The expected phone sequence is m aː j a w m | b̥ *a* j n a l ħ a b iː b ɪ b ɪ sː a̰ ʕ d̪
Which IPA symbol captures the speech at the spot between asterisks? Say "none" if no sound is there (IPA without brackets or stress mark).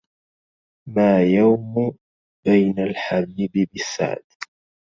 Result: a